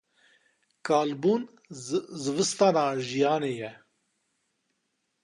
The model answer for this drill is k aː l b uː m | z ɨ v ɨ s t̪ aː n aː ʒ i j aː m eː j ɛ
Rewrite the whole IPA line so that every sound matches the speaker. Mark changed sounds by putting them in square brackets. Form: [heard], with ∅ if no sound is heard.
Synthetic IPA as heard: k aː l b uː [n] | z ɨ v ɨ s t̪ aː n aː ʒ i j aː [n] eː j ɛ